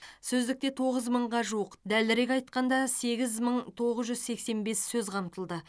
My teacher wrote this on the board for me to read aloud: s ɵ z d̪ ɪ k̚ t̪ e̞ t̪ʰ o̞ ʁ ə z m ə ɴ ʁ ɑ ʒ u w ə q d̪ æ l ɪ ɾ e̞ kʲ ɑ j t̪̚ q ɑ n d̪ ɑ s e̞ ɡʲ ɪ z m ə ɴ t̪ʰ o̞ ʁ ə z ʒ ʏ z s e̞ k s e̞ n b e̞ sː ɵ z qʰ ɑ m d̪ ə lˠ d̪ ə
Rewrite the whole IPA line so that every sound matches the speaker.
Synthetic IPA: s ɵ z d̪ ɪ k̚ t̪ e̞ t̪ʰ o̞ ʁ ə z m ə ɴ ʁ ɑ ʒ u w ə q d̪ æ l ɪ ɾ e̞ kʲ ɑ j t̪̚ q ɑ n d̪ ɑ s e̞ ɡʲ ɪ z m ə ɴ t̪ʰ o̞ ʁ ə z ʒ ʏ z s e̞ k s e̞ n b e̞ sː ɵ z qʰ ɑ m t̪ ə lˠ d̪ ə